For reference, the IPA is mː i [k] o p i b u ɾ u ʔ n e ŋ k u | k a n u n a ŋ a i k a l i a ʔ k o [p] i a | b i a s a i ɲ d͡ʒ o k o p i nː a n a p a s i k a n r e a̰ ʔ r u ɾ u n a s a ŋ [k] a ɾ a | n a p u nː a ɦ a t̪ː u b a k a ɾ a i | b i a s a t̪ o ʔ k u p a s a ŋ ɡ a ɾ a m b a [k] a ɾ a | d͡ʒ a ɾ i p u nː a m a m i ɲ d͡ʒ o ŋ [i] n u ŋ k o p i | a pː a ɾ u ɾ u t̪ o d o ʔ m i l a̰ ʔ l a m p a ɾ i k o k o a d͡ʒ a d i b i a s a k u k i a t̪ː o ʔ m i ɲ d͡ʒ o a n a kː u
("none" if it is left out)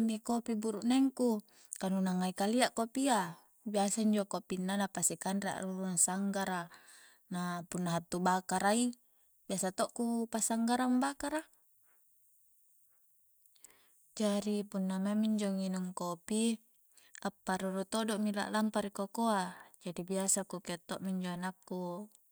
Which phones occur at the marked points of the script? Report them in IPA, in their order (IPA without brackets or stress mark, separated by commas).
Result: k, p, ɡ, k, i